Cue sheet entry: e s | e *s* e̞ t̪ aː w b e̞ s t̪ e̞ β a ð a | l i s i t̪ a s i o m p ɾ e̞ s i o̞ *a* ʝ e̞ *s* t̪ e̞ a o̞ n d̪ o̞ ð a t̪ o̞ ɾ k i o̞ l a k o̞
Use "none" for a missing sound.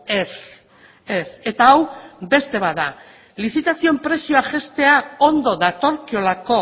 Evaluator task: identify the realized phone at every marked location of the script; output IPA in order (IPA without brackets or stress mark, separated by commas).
s, a, s